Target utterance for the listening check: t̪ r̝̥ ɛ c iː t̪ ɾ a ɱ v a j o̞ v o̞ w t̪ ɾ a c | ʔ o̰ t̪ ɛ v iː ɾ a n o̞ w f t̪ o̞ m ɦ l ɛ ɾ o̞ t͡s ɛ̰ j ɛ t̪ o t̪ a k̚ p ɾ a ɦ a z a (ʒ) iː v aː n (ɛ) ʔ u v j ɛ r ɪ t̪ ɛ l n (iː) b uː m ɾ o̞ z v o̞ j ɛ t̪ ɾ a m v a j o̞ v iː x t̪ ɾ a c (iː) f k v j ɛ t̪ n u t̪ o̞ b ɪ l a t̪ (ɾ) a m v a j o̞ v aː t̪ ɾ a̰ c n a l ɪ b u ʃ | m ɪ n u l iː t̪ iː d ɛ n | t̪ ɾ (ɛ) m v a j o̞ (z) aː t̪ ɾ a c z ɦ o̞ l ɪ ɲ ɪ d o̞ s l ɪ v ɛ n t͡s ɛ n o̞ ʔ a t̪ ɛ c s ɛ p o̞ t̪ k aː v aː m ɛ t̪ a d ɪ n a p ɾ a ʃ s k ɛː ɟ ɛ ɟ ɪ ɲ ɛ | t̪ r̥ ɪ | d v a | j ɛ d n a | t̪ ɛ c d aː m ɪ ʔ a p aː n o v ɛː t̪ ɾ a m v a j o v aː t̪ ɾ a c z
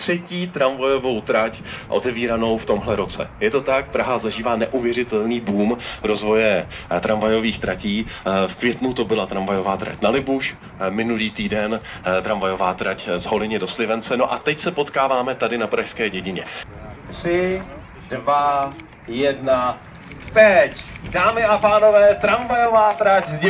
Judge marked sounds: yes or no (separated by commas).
yes, yes, yes, yes, yes, no, no